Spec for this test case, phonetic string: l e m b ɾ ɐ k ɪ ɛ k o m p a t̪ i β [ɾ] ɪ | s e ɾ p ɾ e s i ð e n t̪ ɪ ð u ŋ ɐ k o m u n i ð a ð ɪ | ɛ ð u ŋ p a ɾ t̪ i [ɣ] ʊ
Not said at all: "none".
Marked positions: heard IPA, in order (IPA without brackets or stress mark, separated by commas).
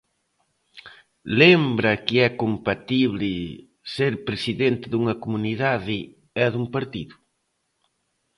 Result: l, ð